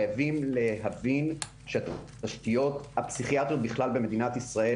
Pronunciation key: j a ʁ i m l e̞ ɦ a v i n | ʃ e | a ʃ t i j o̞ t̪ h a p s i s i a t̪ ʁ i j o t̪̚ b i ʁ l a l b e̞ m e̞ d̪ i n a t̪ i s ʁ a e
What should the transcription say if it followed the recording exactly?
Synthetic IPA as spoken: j a v i m l e̞ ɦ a v i n | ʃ e | a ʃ t i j o̞ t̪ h a p s i χ i a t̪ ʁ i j o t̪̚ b i χ l a l b e̞ m e̞ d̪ i n a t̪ i s ʁ a e